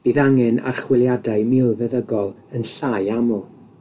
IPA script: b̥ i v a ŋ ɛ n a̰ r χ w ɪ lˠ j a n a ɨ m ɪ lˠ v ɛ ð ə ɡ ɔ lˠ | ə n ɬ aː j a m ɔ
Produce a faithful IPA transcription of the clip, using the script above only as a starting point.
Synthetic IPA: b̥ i ð a ŋ ɛ n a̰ r χ w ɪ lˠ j a d a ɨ m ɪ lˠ v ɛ ð ə ɡ ɔ lˠ | ə n ɬ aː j a m ɔ